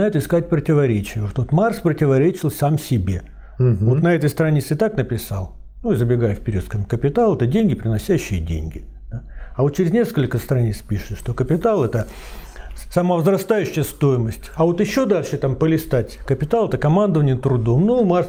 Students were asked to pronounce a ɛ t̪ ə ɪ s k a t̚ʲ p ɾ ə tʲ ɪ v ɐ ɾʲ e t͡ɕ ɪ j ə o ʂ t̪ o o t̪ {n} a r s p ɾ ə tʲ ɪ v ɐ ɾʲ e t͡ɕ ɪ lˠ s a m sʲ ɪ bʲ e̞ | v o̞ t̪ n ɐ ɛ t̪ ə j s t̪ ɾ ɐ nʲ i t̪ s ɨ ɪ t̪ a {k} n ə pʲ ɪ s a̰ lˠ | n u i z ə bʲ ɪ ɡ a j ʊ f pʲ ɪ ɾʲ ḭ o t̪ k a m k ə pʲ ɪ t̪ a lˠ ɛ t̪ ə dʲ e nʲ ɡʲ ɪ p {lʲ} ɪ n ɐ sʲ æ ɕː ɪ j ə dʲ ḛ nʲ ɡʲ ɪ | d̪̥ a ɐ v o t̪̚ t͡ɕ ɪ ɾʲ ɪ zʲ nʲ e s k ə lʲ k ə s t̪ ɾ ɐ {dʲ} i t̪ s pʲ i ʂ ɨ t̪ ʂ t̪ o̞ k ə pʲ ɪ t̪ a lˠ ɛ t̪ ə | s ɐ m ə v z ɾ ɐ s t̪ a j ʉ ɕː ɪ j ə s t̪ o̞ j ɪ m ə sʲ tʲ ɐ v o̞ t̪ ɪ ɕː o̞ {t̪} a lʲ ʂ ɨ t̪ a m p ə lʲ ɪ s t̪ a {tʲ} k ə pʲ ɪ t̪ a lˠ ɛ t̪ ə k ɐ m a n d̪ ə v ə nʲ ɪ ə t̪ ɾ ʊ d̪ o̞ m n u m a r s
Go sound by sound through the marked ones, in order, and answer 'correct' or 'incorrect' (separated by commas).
incorrect, correct, incorrect, incorrect, incorrect, correct